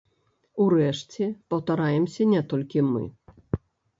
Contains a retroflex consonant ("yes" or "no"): yes